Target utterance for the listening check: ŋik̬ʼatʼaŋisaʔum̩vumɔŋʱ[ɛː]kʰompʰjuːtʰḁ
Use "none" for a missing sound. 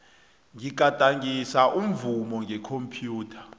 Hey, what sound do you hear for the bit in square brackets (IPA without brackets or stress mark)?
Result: ɛ